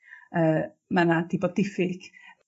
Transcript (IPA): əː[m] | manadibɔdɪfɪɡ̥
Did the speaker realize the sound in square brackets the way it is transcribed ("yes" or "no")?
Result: no